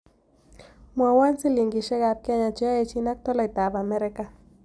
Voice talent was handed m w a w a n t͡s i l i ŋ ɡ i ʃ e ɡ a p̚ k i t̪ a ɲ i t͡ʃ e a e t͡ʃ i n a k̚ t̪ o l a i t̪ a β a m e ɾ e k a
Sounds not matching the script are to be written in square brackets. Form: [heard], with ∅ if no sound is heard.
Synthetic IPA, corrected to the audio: m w a w a n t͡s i l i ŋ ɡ i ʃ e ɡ a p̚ k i [∅] a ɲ [a] t͡ʃ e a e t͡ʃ i n a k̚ t̪ o l a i t̪ a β a m e ɾ e k a